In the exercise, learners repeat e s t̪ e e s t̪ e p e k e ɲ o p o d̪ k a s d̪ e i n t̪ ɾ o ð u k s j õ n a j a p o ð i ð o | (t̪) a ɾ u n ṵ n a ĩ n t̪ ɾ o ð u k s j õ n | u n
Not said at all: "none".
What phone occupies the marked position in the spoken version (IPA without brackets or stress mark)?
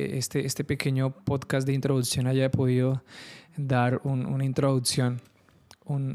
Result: d̪